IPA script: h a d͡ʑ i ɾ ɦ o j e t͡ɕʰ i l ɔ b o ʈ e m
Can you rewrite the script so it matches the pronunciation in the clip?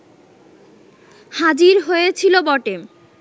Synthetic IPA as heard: h a d͡ʑ i ɾ ɦ o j e t͡ɕʰ i l o b ɔ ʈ e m